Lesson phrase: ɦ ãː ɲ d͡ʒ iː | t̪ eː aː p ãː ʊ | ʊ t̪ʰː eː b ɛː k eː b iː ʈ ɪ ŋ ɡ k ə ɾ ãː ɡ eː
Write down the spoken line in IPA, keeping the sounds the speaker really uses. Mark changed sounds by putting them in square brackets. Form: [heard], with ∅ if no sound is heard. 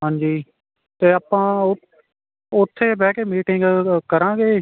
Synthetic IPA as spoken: ɦ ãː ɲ d͡ʒ iː | t̪ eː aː p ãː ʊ | ʊ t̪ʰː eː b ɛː k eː [m] iː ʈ ɪ ŋ ɡ k ə ɾ ãː ɡ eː